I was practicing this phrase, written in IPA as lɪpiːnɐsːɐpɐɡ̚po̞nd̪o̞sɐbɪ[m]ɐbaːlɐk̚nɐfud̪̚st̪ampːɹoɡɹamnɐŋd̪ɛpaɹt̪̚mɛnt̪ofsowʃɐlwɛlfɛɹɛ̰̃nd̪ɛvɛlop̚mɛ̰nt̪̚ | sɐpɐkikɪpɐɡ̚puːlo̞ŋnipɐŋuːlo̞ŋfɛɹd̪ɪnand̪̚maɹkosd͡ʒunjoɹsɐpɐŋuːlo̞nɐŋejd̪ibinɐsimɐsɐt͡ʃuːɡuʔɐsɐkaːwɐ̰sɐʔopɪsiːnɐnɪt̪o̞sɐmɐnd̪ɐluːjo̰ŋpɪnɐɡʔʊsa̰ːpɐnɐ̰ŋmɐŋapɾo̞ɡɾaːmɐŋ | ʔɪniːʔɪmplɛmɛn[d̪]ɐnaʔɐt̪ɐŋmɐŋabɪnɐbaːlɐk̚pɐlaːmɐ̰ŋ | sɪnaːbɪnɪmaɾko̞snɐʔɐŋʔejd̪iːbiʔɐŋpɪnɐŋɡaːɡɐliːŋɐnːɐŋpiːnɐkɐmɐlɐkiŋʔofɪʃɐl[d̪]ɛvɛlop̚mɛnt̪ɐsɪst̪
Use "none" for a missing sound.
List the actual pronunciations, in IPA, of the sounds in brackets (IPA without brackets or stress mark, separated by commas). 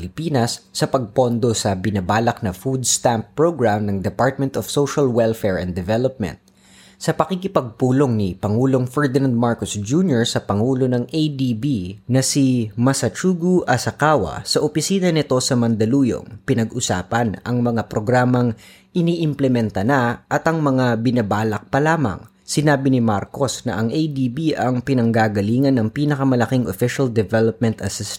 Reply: n, t̪, d̪